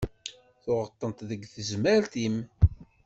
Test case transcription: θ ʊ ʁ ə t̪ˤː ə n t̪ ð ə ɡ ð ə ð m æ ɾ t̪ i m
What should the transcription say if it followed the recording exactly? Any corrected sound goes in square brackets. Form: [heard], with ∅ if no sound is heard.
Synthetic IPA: θ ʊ ʁ ə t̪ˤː ə n t̪ ð ə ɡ [θ] ə [z] m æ ɾ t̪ i m